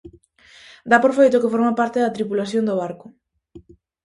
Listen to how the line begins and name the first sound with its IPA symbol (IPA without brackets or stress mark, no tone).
d̪